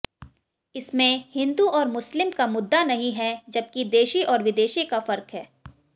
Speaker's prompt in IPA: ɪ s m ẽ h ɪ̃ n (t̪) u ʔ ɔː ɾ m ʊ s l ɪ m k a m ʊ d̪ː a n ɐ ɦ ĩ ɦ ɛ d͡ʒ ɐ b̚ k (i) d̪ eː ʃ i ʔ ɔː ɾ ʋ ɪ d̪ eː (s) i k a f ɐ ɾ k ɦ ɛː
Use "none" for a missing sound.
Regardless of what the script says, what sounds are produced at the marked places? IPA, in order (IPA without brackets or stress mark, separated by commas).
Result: d̪, i, ʃ